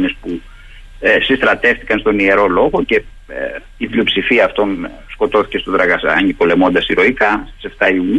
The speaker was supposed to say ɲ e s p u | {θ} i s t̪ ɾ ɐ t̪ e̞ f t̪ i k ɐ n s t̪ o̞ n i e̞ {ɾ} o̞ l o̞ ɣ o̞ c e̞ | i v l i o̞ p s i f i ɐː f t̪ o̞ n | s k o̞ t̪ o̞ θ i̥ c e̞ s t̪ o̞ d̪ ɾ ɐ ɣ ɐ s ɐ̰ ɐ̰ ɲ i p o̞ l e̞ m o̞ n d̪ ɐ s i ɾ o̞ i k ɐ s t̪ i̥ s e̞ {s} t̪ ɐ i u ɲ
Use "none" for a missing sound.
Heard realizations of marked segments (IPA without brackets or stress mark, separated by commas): s, ɾ, f